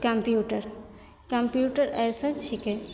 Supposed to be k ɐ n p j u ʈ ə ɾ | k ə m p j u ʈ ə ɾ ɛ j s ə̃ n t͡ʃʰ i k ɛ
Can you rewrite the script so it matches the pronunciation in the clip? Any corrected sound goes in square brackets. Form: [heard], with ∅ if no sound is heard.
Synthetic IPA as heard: k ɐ [m] p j u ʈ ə ɾ | k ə m p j u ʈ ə ɾ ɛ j s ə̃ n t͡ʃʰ i k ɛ